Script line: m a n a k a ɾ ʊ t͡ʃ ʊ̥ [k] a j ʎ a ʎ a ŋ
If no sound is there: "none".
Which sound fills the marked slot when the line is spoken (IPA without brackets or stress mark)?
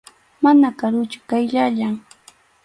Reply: k